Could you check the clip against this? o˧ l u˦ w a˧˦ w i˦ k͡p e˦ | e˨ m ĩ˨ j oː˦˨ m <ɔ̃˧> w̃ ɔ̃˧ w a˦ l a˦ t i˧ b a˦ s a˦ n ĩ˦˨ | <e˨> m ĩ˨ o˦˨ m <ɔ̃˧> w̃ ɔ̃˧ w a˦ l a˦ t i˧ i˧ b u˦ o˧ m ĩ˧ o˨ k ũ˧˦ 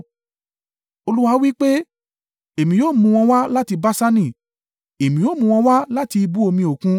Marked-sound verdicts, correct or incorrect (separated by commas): incorrect, correct, incorrect